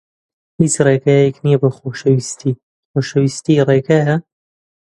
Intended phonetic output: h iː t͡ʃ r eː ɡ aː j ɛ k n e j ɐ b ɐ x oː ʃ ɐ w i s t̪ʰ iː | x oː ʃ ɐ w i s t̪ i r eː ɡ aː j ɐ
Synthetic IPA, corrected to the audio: h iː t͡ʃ r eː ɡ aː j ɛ k n i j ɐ b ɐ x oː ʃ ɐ w i s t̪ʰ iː | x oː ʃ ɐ w i s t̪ i r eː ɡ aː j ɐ